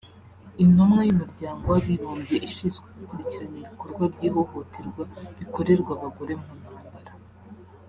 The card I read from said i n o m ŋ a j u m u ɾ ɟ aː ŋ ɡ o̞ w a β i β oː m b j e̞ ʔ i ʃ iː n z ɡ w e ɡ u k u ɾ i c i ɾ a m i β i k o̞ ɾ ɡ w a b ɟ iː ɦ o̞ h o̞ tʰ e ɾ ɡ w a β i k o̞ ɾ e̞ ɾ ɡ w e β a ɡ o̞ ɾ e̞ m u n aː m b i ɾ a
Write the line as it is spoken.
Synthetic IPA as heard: i n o m ŋ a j u m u ɾ ɟ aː ŋ ɡ o̞ w a β i β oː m b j e̞ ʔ i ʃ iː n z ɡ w e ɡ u k u ɾ i c i ɾ a ɲ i β i k o̞ ɾ ɡ w a b ɟ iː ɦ o̞ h o̞ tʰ e ɾ ɡ w a β i k o̞ ɾ e̞ ɾ ɡ w a β a ɡ o̞ ɾ e̞ m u n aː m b a ɾ a